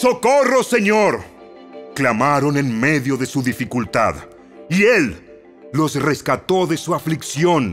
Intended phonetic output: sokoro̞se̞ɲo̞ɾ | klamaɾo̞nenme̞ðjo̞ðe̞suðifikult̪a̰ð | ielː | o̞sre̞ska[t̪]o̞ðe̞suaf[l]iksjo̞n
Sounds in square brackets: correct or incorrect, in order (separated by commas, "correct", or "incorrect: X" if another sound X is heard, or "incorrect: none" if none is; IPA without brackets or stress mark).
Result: correct, correct